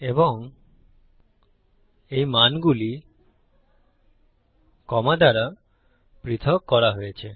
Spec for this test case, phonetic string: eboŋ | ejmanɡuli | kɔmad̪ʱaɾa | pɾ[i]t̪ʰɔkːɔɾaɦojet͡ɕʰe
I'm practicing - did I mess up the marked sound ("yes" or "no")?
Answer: no